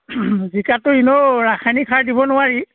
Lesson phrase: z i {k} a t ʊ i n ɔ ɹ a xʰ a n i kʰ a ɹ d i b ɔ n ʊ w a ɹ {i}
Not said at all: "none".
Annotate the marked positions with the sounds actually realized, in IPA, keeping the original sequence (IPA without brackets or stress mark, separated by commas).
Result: k, i